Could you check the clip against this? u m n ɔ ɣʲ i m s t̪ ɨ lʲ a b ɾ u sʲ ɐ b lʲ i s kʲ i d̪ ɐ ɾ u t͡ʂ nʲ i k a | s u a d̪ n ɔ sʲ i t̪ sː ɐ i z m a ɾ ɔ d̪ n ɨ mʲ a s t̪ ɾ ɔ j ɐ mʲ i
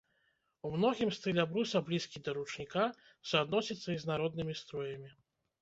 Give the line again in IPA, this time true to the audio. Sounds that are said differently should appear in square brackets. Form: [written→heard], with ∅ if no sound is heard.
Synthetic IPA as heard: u m n ɔ ɣʲ i m s t̪ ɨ lʲ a b ɾ u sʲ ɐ b lʲ i s kʲ i d̪ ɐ ɾ u t͡ʂ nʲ i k a | s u a d̪ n ɔ sʲ i t̪ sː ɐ i z [m→n] a ɾ ɔ d̪ n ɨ mʲ [a→i] s t̪ ɾ ɔ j ɐ mʲ i